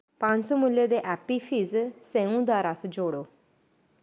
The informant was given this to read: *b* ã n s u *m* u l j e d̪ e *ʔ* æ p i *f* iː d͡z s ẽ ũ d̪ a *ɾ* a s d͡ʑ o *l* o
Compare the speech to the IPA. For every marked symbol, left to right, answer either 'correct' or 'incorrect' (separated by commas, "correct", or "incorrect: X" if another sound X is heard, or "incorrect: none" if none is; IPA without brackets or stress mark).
incorrect: p, correct, correct, correct, correct, incorrect: ɽ